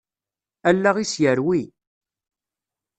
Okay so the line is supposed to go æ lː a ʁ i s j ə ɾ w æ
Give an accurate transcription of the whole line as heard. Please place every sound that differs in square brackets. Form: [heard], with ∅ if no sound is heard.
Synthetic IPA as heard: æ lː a ʁ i s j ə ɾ w [i]